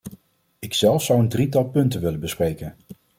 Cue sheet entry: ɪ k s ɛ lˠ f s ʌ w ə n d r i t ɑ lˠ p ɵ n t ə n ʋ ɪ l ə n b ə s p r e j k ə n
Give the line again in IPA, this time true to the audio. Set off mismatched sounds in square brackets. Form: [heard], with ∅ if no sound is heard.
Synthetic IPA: ɪ k s ɛ lˠ f s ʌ w ə n d r i t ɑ lˠ p ɵ n t ə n ʋ ɪ l ə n b ə s p r e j k ə n

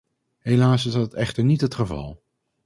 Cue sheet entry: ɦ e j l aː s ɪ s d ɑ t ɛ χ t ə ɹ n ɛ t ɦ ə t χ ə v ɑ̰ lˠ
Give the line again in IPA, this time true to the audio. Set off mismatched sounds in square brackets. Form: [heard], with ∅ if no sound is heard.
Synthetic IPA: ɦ e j l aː s ɪ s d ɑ t ɛ χ t ə ɹ n [i] t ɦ ə t χ ə v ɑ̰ lˠ

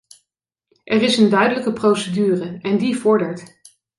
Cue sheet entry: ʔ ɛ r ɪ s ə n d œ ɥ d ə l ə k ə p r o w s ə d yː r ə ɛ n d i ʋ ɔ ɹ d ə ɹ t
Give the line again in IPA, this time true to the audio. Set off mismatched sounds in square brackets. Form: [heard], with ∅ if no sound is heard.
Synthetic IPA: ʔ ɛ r ɪ s ə n d œ ɥ d ə l ə k ə p r o w s ə d yː r ə ɛ n d i [v] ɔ ɹ d ə ɹ t

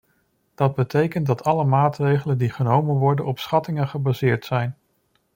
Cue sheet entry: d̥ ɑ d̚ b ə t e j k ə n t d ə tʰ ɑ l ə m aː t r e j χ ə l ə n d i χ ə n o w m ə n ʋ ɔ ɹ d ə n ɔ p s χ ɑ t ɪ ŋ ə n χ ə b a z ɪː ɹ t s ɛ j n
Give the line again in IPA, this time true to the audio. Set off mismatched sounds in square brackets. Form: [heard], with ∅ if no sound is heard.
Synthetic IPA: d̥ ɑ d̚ b ə t e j k ə n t d [ɑ] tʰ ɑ l ə m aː t r e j χ ə l ə n d i χ ə n o w m ə n ʋ ɔ ɹ d ə n ɔ p s χ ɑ t ɪ ŋ ə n χ ə b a z ɪː ɹ t s ɛ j n

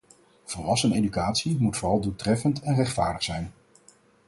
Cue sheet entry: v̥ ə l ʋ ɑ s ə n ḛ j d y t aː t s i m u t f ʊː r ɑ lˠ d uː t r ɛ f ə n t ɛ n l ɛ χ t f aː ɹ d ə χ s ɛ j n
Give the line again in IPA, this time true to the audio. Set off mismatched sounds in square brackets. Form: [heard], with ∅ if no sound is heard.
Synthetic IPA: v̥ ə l ʋ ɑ s ə n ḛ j d y [k] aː t s i m u t f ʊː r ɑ lˠ d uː t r ɛ f ə n t ɛ n [r] ɛ χ t f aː ɹ d ə χ s ɛ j n

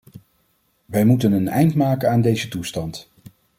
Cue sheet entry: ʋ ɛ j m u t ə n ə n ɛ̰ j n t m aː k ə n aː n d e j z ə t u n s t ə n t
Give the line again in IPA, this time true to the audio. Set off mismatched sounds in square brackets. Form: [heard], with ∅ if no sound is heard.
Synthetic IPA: ʋ ɛ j m u t ə n ə n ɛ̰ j n t m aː k ə n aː n d e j z ə t u [∅] s t [ɑ] n t

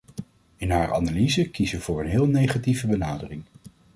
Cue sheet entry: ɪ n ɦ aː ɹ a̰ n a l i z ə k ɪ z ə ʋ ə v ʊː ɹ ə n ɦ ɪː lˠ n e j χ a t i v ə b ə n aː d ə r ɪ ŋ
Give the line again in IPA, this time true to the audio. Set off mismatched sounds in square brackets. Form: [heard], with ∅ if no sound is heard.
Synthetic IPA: ɪ n ɦ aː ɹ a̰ n a l i z ə k [i] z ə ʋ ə v ʊː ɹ ə n ɦ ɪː lˠ n e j χ a t i v ə b ə n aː d ə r ɪ ŋ

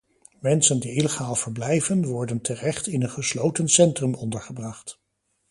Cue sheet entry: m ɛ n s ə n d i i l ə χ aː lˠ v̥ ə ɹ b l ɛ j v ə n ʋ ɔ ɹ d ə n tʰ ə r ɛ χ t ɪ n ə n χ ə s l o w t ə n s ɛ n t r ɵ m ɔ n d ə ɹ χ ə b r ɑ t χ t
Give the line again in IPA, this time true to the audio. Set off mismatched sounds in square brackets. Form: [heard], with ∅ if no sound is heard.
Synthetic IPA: m ɛ n s ə n d i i l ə χ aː lˠ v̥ ə ɹ b l ɛ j v ə n ʋ ɔ ɹ d ə n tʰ ə r ɛ χ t ɪ n ə n χ ə s l o w t ə n s ɛ n t r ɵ m ɔ n d ə ɹ χ ə b r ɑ [∅] χ t

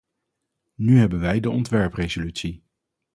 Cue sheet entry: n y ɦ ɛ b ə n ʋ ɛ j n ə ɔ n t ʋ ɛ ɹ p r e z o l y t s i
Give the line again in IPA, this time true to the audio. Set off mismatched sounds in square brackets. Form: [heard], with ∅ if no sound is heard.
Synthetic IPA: n y ɦ ɛ b ə n ʋ ɛ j [d] ə ɔ n t ʋ ɛ ɹ p r e z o l y t s i

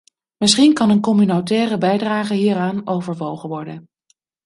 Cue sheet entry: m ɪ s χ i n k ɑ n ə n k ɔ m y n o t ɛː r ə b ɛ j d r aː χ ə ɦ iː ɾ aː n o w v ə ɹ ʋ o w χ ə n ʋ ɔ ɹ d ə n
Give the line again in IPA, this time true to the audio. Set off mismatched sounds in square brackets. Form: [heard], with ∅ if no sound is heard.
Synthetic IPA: m ɪ s χ i n k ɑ n ə n k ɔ m y n o t ɛː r ə b ɛ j d r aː χ ə ɦ iː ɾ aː n o w v ə ɹ ʋ o w χ ə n ʋ ɔ ɹ d ə n

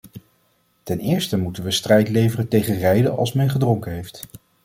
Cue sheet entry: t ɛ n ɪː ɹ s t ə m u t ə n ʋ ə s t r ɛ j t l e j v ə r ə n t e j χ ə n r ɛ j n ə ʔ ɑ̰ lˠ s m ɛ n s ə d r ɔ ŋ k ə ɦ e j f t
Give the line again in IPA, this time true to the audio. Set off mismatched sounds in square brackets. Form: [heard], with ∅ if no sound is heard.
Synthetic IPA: t ɛ n ɪː ɹ s t ə m u t ə n ʋ ə s t r ɛ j t l e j v ə r ə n t e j χ ə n r ɛ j [d] ə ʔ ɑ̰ lˠ s m ɛ n [χ] ə d r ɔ ŋ k ə ɦ e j f t

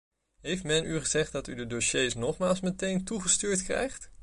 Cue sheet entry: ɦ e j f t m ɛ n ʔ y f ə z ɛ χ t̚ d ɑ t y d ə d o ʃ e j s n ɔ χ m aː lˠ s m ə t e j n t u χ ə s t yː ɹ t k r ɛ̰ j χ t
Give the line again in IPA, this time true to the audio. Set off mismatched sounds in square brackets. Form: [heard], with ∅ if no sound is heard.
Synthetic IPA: ɦ e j f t m ɛ n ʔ y [χ] ə z ɛ χ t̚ d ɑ t y d ə d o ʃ e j s n ɔ χ m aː lˠ s m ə t e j n t u χ ə s t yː ɹ t k r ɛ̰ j χ t

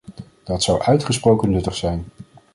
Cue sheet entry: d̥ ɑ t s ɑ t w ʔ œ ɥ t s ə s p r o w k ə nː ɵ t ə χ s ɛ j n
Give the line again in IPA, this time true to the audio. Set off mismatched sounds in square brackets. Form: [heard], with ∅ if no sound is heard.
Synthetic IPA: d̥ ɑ t s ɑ [∅] w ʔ œ ɥ t [χ] ə s p r o w k ə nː ɵ t ə χ s ɛ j n

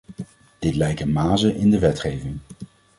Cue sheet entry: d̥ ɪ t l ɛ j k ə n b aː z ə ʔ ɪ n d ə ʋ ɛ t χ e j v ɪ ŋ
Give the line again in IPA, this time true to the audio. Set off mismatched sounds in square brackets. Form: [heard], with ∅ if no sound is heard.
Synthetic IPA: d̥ ɪ t l ɛ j k ə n [m] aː z ə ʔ ɪ n d ə ʋ ɛ t χ e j v ɪ ŋ

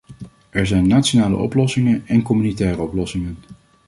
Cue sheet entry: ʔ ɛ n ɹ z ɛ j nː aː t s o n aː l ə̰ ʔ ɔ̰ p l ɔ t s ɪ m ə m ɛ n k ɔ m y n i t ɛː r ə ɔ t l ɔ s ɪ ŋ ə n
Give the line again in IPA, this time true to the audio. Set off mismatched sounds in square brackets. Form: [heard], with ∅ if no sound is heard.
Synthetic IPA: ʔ ɛ [∅] ɹ z ɛ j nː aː t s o n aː l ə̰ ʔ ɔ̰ p l ɔ [∅] s ɪ [ŋ] ə [n] ɛ n k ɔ m y n i t ɛː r ə ɔ [p] l ɔ s ɪ ŋ ə n

